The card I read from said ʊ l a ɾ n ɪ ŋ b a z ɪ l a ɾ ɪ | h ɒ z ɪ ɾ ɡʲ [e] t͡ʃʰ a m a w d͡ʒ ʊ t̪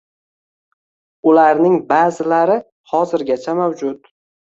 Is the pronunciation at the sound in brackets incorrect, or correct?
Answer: incorrect